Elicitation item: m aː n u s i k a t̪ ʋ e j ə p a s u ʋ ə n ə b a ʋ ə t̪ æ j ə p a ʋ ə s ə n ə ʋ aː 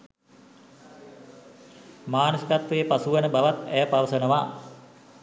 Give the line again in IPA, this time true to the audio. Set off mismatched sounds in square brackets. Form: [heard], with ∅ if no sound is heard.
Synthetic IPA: m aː n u s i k a t̪ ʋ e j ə p a s u ʋ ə n ə b a ʋ [a] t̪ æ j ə p a ʋ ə s ə n ə ʋ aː